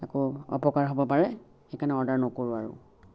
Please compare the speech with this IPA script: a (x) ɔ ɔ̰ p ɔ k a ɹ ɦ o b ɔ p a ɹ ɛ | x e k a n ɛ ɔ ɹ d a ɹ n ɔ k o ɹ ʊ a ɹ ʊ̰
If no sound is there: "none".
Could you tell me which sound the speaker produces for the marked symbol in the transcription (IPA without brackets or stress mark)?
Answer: k